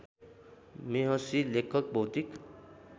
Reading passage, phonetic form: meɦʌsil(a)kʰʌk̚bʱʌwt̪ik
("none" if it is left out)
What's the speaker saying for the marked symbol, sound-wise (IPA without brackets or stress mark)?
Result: e